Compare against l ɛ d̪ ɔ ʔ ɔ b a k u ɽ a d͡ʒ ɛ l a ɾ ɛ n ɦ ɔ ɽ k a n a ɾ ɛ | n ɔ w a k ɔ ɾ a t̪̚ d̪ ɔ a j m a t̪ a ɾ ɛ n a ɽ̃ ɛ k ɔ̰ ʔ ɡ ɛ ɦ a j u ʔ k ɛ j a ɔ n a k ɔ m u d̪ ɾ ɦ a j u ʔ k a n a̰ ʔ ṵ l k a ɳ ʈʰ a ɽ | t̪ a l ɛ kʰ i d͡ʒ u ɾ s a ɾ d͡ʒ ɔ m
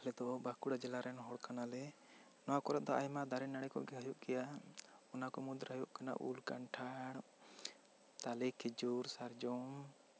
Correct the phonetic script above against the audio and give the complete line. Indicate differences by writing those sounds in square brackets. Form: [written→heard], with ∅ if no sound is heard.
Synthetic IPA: l ɛ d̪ ɔ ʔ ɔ b a k u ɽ a d͡ʒ ɛ l a ɾ ɛ n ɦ ɔ ɽ k a n a [ɾ→l] ɛ | n ɔ w a k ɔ ɾ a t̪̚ d̪ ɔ a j m a [t̪→d̪] a ɾ ɛ n a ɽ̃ ɛ k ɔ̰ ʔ ɡ ɛ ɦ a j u ʔ k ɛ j a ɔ n a k ɔ m u d̪ ɾ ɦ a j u ʔ k a n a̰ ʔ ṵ l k a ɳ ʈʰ a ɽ | t̪ a l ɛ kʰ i d͡ʒ u ɾ s a ɾ d͡ʒ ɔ m